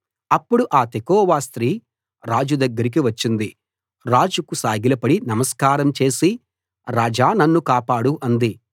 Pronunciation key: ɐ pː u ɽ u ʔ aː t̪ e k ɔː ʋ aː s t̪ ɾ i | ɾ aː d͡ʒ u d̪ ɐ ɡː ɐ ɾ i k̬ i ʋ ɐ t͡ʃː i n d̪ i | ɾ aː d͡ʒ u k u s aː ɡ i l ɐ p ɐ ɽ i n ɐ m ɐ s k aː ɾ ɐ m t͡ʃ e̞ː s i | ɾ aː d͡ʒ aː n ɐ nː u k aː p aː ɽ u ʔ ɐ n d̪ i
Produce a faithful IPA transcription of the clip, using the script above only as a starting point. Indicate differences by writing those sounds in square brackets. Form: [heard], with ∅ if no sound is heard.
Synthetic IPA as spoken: ɐ pː u ɽ u ʔ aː t̪ e k ɔː ʋ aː s t̪ ɾ [iː] | ɾ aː d͡ʒ u d̪ ɐ ɡː ɐ ɾ i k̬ i ʋ ɐ t͡ʃː i n d̪ i | ɾ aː d͡ʒ u k u s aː ɡ i l ɐ p ɐ ɽ i n ɐ m ɐ s k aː ɾ ɐ m t͡ʃ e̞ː s i | ɾ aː d͡ʒ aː n ɐ nː u k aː p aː ɽ u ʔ ɐ n d̪ i